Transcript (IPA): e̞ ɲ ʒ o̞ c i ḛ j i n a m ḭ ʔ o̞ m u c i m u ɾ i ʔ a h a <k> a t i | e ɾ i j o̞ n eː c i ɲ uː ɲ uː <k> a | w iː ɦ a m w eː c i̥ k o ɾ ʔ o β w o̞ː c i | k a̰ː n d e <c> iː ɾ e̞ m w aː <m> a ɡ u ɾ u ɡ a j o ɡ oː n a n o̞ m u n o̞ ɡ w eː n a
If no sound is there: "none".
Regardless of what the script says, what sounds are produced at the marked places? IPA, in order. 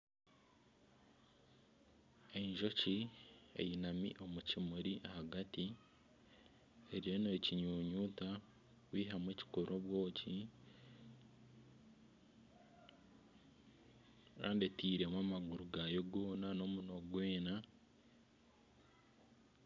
ɡ, t, t, m

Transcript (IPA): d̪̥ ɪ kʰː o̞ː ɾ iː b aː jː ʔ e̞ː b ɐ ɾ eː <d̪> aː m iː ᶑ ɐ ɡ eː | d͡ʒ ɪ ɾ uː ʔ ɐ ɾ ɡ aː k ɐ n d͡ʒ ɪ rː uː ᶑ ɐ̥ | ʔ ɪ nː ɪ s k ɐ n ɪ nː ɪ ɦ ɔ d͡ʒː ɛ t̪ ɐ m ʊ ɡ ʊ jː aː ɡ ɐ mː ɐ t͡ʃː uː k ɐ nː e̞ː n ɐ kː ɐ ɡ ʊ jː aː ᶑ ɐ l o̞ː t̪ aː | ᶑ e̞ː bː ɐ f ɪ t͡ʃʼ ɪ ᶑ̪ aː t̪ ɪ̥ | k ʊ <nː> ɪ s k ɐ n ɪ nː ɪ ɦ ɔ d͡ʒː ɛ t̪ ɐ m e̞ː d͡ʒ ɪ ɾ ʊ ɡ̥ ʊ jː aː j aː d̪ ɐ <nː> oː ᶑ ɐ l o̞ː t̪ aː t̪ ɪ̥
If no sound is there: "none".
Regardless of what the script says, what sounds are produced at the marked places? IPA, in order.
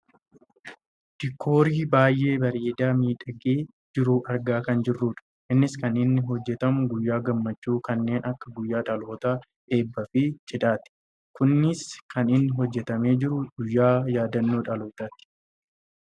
d̪, nː, nː

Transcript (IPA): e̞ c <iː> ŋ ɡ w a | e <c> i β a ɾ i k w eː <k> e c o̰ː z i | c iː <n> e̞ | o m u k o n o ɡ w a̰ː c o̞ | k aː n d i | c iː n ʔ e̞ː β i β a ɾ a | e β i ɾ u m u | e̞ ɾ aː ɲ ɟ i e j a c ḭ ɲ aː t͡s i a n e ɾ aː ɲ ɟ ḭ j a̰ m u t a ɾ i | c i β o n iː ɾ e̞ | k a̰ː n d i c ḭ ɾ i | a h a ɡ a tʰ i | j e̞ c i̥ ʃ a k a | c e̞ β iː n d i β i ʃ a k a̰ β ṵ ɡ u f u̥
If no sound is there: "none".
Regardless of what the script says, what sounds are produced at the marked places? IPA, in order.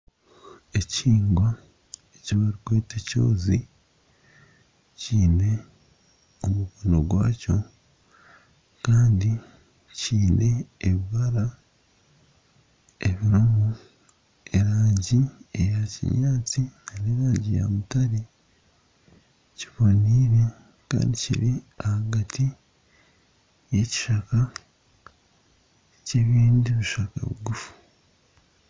iː, c, t, n

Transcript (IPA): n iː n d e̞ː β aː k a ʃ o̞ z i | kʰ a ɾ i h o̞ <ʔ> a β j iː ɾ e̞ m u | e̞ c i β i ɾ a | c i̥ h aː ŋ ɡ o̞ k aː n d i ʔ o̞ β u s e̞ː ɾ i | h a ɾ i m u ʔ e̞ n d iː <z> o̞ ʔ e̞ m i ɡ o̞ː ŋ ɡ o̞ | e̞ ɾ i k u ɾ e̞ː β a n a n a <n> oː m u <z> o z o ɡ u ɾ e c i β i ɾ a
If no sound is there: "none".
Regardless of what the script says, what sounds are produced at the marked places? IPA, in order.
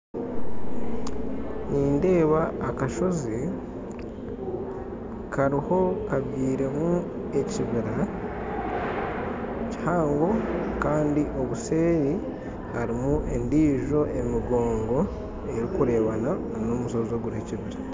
k, ʒ, n, s

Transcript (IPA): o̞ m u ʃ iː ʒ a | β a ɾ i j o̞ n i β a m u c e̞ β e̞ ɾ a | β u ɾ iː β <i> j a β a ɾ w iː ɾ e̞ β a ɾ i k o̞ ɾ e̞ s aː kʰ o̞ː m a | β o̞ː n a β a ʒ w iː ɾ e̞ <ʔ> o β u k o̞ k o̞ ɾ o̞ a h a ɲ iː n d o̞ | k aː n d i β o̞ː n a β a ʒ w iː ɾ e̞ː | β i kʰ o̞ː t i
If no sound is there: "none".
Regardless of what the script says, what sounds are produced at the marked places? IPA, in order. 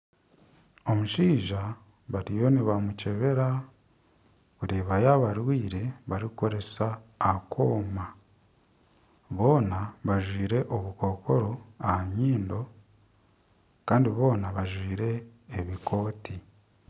a, ʔ

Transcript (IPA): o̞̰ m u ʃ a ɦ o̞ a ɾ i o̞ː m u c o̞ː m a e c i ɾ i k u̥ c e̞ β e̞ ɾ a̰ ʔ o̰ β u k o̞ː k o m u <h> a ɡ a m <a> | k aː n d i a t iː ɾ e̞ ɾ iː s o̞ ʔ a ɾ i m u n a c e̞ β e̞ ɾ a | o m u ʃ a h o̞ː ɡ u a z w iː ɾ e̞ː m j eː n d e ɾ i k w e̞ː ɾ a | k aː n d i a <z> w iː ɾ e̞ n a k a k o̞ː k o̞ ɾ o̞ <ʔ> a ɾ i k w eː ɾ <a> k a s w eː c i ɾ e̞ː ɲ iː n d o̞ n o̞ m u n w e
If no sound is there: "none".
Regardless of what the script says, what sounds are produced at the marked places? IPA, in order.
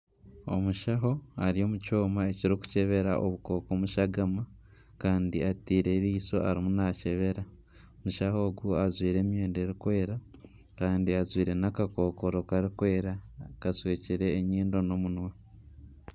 ʃ, a, z, k, a

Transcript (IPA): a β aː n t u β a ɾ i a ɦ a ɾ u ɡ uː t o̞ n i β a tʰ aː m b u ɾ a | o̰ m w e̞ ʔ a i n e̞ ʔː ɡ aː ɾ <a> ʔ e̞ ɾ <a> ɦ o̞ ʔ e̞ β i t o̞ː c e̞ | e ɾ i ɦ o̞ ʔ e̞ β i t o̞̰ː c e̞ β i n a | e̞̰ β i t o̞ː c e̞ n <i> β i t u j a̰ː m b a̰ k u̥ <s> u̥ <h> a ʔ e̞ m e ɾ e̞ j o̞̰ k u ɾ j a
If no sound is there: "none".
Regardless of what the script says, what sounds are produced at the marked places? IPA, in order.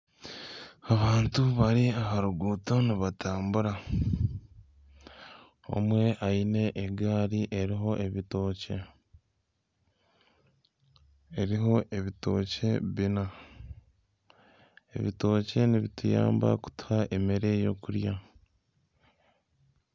i, i, i, t, h

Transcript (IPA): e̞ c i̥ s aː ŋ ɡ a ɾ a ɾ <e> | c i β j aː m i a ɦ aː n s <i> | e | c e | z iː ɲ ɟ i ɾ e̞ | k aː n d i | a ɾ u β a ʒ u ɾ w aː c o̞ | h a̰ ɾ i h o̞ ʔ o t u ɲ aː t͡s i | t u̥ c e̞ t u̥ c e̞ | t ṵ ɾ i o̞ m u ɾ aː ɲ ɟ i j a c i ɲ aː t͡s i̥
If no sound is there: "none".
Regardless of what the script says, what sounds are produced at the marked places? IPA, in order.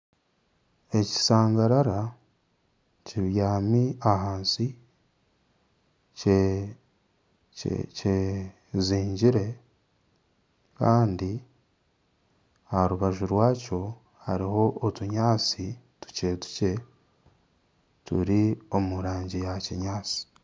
a, i

